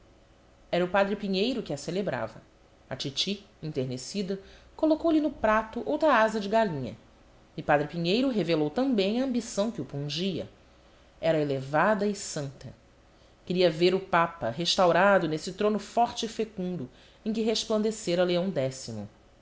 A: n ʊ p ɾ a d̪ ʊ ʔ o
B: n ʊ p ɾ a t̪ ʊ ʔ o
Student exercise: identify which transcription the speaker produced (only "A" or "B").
B